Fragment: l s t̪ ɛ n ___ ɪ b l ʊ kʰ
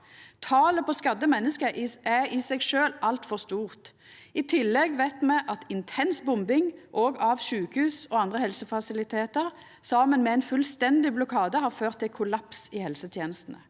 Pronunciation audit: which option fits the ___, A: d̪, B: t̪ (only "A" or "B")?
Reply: A